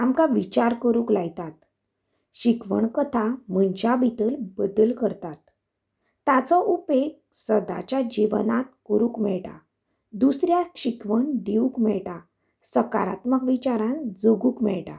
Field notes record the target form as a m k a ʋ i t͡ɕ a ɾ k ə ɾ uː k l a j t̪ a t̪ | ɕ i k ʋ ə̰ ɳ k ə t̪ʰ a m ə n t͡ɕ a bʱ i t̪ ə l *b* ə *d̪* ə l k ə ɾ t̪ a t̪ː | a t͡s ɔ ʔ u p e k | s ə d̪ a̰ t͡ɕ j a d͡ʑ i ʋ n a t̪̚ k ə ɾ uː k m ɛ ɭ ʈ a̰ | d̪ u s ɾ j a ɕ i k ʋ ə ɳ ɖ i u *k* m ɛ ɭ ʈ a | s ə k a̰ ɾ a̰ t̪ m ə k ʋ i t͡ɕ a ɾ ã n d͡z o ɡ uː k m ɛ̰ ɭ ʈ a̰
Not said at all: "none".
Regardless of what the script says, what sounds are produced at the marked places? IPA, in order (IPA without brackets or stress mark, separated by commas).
b, d̪, k